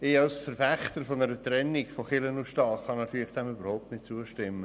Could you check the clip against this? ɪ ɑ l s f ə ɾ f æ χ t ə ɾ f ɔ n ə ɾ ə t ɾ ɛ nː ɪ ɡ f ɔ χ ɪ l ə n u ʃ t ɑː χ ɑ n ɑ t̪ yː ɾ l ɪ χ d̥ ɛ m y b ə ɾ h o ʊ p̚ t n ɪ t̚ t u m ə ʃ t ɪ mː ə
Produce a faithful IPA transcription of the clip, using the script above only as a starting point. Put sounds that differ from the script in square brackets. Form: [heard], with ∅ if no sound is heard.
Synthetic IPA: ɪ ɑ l s f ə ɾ f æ χ t ə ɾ f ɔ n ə ɾ ə t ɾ ɛ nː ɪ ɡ f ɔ χ ɪ l ə n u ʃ t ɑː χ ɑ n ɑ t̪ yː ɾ l ɪ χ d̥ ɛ m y b ə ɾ h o ʊ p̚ t n ɪ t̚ [t͡s] u [∅] ə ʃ t ɪ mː ə